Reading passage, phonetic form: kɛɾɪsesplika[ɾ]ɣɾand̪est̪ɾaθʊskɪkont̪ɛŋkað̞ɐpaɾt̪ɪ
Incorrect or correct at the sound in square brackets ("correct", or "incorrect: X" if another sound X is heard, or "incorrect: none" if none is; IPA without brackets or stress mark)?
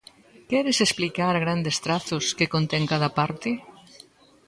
correct